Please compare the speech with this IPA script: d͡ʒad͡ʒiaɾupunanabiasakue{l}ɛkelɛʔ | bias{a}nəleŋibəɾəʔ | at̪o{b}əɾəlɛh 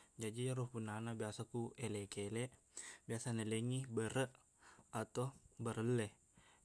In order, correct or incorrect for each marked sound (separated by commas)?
correct, correct, correct